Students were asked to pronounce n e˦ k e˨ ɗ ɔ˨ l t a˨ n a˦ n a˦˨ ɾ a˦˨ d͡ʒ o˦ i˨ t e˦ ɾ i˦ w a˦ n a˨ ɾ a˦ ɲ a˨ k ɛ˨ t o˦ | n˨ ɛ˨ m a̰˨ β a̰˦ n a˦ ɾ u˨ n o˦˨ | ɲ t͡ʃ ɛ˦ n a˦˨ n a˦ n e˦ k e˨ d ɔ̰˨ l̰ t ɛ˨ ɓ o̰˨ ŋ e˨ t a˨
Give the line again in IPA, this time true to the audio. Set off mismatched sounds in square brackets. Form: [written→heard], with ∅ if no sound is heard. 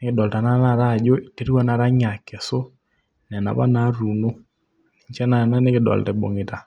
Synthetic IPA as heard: n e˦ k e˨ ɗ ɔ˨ l t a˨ n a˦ n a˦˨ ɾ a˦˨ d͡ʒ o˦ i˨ t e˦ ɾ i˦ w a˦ n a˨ ɾ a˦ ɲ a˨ k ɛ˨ [t→s] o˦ | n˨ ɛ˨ [m→n] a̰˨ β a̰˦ n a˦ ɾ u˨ n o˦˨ | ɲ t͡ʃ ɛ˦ n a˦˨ n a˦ n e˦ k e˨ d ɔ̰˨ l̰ t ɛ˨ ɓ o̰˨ ŋ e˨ t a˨

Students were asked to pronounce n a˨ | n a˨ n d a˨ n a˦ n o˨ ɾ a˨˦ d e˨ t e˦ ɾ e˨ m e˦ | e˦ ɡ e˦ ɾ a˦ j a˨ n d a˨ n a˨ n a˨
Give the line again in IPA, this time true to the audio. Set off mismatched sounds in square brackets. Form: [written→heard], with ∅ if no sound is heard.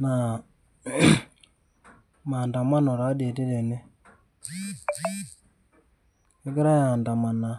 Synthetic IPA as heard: n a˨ | [n→m] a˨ n d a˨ [n→m] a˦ n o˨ ɾ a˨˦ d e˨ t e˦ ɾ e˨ [m→n] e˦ | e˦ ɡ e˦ ɾ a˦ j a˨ n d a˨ [n→m] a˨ n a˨

